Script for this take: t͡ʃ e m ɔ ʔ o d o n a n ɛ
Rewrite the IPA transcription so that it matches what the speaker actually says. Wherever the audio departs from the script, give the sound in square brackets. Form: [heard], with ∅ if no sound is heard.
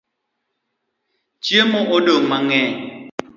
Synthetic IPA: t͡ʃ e m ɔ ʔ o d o [m] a [ŋ] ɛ